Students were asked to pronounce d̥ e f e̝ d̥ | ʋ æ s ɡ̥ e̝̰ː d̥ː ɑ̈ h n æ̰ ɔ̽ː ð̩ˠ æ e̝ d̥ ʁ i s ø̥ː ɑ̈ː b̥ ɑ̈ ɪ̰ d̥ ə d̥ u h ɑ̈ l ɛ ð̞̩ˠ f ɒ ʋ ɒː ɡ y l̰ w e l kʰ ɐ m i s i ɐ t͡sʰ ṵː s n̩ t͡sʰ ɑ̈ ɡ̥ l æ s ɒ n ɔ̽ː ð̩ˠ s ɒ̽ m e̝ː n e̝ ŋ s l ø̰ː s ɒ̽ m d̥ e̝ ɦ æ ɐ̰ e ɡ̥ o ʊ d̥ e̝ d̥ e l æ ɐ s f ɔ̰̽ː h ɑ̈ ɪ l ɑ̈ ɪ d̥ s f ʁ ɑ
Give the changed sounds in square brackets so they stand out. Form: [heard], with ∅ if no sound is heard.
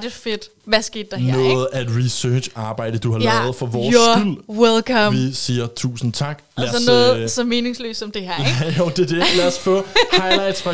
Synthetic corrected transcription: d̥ e f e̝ d̥ | ʋ æ s ɡ̥ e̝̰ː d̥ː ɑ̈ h n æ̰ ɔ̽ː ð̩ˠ æ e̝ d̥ ʁ i s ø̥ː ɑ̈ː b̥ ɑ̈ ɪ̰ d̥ ə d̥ u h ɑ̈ l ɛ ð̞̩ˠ f ɒ ʋ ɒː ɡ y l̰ w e l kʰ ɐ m i s [iː] ɐ t͡sʰ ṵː s n̩ t͡sʰ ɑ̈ ɡ̥ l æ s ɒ n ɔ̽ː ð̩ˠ s ɒ̽ m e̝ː n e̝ ŋ s l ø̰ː s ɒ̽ m d̥ e̝ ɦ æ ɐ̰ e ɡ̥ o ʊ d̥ e̝ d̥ e l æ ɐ s f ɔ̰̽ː h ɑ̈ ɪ l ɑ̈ ɪ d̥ s f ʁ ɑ